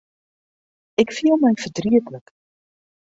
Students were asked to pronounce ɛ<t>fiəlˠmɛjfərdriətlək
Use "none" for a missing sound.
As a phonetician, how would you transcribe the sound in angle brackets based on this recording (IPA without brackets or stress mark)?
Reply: k